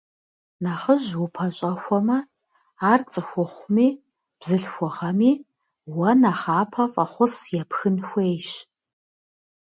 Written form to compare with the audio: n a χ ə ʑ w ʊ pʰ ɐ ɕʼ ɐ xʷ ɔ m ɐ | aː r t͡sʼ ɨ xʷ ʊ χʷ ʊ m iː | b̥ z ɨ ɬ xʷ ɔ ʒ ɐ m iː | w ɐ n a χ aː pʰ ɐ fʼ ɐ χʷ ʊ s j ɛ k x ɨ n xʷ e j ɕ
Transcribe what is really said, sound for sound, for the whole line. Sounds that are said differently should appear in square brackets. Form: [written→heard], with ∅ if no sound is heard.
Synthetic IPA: n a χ ə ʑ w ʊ pʰ ɐ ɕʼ ɐ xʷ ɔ m ɐ | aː r t͡sʼ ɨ xʷ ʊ χʷ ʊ m iː | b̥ z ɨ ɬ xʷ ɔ [ʒ→ʁ] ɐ m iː | w ɐ n a χ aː pʰ ɐ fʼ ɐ χʷ ʊ s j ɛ [k→p] x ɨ n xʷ e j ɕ